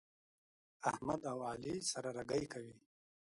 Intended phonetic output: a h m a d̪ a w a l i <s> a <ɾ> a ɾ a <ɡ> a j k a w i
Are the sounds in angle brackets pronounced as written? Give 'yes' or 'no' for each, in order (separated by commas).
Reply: yes, yes, yes